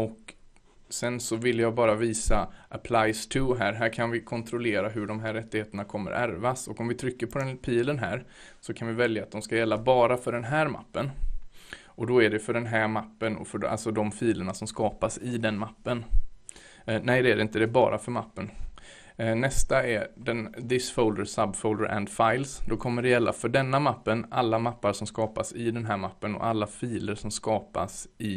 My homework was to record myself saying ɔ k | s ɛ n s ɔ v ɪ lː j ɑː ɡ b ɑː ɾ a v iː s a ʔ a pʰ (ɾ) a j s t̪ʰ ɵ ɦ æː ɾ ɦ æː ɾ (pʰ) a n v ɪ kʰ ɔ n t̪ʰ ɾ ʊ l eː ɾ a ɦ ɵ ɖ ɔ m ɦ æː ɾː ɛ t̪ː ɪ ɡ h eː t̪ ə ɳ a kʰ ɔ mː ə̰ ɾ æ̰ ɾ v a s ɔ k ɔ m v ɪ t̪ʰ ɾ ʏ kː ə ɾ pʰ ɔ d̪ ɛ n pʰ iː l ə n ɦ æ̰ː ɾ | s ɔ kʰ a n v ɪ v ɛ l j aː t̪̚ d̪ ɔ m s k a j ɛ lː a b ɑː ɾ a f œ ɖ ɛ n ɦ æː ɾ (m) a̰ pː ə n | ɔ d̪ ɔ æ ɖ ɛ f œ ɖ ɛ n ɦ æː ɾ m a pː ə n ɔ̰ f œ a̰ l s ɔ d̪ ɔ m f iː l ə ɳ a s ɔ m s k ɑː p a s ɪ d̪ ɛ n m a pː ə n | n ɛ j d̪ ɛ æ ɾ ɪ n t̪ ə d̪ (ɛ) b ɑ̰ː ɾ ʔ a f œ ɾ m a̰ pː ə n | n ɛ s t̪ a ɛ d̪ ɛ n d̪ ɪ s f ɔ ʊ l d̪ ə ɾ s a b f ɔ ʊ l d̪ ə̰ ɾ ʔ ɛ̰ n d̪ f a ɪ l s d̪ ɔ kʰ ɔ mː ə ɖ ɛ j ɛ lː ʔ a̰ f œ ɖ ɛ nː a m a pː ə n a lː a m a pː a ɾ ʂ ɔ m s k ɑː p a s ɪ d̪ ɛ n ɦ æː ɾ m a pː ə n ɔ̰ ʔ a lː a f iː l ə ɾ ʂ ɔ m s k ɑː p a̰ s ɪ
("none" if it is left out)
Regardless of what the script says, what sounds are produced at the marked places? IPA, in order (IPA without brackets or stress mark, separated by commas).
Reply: l, kʰ, m, ɛ